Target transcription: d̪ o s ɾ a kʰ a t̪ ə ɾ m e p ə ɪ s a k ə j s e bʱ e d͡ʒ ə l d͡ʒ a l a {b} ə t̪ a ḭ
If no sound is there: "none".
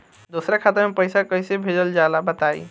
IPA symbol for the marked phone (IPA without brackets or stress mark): b